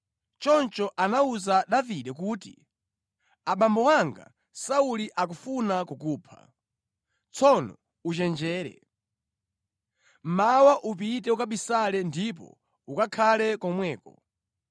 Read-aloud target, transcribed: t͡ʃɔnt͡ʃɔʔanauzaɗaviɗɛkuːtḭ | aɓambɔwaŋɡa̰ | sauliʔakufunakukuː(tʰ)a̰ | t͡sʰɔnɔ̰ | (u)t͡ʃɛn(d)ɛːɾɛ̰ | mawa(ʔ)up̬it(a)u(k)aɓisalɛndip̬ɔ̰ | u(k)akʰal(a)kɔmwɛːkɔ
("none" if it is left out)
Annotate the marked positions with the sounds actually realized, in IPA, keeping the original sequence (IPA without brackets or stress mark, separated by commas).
pʰ, u, d͡ʒ, ʔ, ɛ, k, k, ɛ